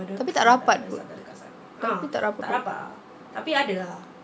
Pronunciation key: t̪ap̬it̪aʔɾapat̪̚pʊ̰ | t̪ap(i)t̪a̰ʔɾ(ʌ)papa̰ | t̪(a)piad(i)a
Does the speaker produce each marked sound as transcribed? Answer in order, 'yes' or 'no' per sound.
yes, no, yes, no

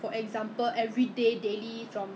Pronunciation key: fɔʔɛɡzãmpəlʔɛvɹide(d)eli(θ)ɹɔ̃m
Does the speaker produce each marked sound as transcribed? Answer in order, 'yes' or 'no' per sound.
yes, no

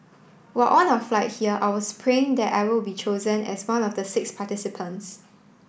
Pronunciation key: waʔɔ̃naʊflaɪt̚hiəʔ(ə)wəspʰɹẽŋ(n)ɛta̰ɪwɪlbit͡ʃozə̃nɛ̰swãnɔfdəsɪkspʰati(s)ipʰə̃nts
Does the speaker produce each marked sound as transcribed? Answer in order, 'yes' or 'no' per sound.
no, no, yes

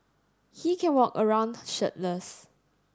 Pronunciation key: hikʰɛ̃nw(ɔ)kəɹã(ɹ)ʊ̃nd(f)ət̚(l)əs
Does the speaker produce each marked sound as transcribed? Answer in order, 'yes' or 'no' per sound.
yes, no, no, yes

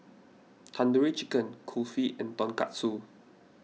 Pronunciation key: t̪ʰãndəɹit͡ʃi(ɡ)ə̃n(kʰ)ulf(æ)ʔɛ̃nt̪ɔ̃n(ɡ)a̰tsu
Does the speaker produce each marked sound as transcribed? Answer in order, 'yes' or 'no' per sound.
no, yes, no, no

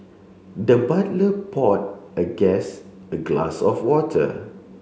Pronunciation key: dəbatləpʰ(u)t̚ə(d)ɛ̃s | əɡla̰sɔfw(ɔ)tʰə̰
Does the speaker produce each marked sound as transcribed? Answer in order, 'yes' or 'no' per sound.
no, no, yes

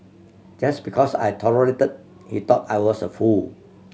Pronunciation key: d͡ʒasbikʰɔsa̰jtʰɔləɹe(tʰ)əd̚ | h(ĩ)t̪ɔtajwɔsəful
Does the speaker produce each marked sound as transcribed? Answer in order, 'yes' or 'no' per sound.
no, no

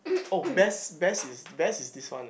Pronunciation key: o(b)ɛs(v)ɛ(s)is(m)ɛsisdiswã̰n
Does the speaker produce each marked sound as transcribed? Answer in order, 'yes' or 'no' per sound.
yes, no, yes, no

